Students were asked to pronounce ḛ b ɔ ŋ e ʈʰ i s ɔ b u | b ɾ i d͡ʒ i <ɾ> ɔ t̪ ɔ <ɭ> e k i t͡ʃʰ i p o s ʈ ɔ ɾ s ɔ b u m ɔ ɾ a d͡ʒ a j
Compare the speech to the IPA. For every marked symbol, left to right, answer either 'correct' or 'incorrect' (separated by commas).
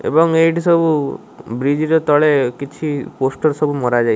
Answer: correct, correct